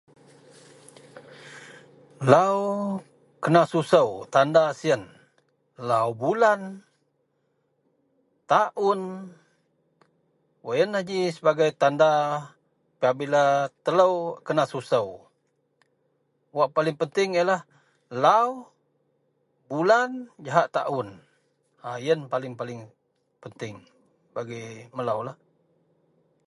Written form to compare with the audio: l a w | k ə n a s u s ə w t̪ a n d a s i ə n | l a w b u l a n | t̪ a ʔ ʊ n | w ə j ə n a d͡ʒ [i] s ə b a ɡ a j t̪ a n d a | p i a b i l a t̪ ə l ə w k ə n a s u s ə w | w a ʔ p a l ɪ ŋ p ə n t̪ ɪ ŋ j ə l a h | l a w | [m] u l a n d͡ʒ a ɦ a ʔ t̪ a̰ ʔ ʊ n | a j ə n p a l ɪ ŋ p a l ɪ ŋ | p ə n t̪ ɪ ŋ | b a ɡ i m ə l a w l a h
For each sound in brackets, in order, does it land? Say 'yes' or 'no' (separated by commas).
yes, no